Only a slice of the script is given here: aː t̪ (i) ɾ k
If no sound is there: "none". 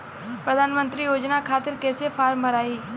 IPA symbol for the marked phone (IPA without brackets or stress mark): ɪ